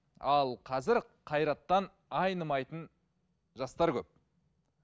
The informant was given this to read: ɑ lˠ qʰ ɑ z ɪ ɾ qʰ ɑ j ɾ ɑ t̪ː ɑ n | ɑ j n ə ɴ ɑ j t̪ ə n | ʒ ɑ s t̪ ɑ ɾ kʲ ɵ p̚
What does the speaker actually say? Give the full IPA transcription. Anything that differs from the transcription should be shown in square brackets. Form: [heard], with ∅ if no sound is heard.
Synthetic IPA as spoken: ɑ lˠ qʰ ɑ z ɪ ɾ qʰ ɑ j ɾ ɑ t̪ː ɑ n | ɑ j n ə [m] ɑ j t̪ ə n | ʒ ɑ s t̪ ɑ ɾ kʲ ɵ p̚